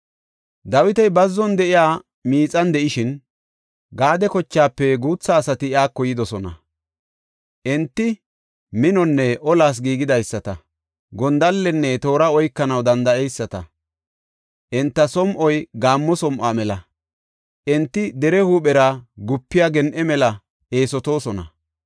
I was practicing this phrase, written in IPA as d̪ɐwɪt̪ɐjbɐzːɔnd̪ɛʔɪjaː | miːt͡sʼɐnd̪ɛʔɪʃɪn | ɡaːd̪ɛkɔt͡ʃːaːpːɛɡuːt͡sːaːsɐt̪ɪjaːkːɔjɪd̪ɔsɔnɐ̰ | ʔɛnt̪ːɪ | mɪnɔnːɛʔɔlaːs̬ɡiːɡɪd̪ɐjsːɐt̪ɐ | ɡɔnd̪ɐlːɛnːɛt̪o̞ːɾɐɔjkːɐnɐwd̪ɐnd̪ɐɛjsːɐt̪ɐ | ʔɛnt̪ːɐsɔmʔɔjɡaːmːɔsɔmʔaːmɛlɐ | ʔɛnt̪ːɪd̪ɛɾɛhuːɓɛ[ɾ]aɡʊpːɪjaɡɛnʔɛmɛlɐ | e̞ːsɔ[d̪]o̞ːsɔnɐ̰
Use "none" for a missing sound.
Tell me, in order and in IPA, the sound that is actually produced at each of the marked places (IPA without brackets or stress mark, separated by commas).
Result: ɾ, t̪